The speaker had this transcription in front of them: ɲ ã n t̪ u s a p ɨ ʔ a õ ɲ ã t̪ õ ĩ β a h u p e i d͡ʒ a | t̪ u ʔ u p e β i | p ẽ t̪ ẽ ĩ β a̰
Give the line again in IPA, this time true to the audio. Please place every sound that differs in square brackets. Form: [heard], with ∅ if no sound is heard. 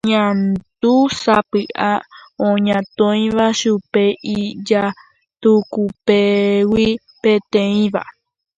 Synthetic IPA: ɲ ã n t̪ u s a p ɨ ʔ a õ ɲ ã t̪ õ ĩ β a [ʃ] u p e i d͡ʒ a | t̪ u [k] u p e [w] i | p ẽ t̪ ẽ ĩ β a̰